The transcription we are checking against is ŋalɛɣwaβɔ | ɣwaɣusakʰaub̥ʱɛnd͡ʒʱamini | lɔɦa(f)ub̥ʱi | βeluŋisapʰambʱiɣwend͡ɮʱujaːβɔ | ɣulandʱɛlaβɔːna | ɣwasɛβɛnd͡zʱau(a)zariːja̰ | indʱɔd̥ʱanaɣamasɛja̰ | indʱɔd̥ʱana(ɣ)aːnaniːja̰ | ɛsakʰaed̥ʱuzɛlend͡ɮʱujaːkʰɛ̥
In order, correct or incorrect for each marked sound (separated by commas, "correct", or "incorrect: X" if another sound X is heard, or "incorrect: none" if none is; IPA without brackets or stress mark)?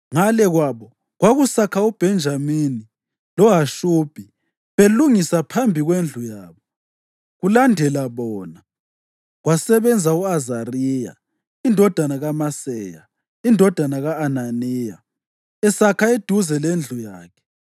incorrect: ʃ, correct, correct